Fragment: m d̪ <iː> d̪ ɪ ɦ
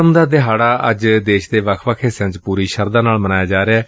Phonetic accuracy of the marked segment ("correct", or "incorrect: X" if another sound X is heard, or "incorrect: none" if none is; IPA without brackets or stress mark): incorrect: aː